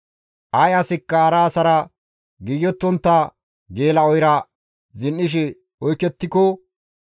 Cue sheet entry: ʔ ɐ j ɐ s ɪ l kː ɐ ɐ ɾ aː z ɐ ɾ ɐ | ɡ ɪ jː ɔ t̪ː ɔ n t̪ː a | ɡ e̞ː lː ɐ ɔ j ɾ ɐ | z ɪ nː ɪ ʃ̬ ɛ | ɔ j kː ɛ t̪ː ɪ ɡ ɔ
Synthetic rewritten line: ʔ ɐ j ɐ s ɪ kː ɐ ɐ ɾ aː s ɐ ɾ ɐ | ɡ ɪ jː ɔ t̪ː ɔ n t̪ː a | ɡ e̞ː l ɐ ɔ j ɾ ɐ | z ɪ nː ɪ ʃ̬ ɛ | ɔ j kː ɛ t̪ː ɪ k ɔ